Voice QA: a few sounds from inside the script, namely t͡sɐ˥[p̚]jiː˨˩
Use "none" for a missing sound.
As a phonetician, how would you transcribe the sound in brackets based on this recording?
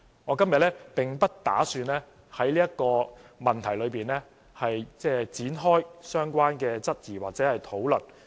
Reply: t̚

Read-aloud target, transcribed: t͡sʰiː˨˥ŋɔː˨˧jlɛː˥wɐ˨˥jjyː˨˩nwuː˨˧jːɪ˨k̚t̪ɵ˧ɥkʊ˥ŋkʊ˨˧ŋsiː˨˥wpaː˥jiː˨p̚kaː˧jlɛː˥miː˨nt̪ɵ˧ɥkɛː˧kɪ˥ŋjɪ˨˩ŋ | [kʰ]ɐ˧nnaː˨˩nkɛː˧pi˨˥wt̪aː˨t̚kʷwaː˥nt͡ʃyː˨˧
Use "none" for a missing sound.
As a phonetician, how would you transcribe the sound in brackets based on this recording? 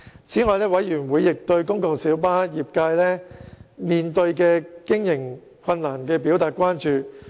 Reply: kʰ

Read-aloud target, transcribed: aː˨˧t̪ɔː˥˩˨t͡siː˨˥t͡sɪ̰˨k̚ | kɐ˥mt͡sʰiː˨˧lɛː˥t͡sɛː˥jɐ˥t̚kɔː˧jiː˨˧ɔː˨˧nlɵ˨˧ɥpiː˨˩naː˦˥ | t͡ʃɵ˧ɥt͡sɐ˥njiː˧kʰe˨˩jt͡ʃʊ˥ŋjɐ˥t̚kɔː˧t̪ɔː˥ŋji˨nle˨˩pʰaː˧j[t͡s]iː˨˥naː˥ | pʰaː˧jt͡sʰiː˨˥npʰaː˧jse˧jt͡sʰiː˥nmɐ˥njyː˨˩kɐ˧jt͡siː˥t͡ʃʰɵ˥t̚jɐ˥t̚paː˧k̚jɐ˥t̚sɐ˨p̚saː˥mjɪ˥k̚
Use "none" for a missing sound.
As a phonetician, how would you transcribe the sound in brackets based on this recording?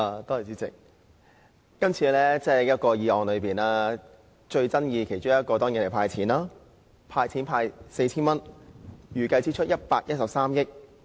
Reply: t͡sʰ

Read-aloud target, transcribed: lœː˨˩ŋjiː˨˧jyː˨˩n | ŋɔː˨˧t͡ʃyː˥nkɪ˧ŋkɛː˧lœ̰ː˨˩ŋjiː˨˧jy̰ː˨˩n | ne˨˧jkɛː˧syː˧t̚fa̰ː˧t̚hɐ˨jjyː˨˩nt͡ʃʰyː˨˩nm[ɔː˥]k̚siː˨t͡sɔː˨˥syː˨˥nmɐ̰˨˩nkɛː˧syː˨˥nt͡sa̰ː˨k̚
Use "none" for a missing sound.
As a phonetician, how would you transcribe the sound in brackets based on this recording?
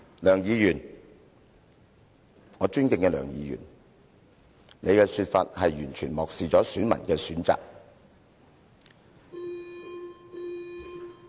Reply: ɔː˨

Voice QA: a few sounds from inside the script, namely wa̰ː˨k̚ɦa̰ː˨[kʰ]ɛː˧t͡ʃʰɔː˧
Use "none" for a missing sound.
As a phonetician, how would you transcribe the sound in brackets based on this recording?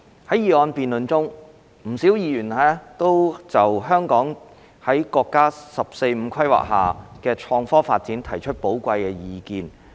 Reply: k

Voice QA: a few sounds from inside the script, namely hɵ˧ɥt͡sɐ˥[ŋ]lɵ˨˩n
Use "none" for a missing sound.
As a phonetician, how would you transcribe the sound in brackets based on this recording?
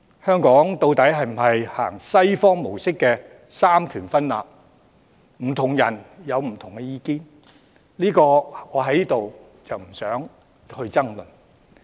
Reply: ŋ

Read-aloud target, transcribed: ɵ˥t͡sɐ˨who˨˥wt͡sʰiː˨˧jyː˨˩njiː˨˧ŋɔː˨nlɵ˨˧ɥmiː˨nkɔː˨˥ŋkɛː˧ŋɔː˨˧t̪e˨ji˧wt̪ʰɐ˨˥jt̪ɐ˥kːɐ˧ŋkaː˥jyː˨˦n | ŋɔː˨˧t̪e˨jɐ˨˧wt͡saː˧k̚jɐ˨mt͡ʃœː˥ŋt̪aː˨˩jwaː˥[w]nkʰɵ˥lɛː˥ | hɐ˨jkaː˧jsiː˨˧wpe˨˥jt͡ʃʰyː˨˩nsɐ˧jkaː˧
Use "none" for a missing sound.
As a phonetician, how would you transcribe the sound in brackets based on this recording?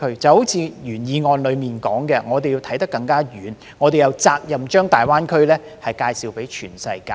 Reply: none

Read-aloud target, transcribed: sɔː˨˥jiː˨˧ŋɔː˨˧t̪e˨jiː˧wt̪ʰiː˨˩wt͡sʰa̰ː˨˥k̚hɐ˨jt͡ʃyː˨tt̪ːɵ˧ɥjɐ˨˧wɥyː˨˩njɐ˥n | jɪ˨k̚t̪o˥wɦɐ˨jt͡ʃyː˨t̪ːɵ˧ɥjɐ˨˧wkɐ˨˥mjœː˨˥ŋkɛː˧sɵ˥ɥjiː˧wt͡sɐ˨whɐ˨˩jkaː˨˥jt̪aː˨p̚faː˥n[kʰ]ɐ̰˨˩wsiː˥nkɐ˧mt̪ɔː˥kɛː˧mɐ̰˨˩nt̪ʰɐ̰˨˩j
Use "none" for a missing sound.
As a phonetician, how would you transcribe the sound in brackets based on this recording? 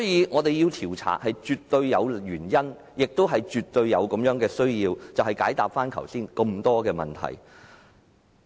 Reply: kʰ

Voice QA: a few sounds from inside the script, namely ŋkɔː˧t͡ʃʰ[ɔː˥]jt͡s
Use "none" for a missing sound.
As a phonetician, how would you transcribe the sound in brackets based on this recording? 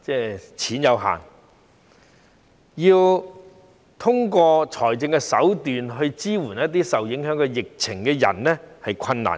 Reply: ɔː˨˩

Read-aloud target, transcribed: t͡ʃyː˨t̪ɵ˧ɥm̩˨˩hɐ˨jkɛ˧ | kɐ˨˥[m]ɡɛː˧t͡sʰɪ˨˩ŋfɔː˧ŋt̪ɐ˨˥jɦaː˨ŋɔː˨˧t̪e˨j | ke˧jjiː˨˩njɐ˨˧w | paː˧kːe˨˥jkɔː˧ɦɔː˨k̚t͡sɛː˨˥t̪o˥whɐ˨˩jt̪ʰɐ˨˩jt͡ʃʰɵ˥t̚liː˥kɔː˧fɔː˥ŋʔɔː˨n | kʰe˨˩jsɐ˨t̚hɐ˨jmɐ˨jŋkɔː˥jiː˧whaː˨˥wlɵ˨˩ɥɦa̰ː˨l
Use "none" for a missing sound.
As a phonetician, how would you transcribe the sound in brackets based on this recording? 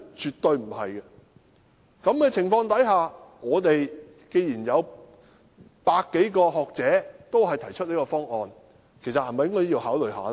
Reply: m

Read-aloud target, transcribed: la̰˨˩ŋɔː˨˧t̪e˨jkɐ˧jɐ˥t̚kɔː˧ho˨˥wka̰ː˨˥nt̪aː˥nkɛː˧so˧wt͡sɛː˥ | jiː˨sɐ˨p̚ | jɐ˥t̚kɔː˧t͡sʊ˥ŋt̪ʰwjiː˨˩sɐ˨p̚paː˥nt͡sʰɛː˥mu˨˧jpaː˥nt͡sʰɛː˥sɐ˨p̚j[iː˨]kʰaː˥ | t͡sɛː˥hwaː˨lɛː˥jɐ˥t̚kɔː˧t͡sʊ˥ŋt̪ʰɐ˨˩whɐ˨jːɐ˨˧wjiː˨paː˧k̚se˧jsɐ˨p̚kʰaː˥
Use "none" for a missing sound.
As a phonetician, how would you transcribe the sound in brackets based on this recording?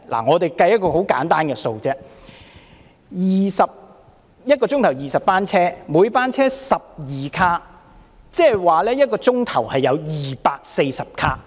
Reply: iː˨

